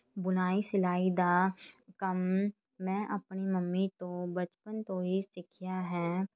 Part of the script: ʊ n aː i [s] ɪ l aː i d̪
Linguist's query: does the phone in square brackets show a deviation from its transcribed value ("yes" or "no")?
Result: no